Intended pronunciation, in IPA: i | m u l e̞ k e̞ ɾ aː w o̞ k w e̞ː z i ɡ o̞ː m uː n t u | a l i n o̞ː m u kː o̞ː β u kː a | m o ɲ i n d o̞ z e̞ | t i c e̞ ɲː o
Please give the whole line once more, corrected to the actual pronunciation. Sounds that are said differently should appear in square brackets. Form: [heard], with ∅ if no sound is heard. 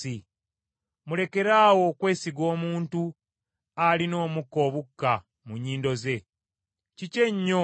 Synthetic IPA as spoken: i | m u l e̞ k e̞ ɾ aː w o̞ k w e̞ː [s] i ɡ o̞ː m uː n t u | a l i n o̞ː m u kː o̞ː β u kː a | m [u] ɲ [iː] n d o̞ z e̞ | [c] i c e̞ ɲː o